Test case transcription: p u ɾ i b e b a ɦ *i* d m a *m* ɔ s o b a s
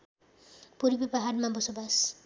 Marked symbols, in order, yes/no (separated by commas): no, no